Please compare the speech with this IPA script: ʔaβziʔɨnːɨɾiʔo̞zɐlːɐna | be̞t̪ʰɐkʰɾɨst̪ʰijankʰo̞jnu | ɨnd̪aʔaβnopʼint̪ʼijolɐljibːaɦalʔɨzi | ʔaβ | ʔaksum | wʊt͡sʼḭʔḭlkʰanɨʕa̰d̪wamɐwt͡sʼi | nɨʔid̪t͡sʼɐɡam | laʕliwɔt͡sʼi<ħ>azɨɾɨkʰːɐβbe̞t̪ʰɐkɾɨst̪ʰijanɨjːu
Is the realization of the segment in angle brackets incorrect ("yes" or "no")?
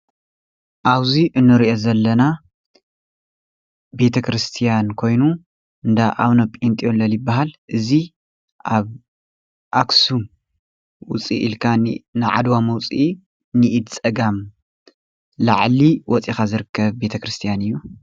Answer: yes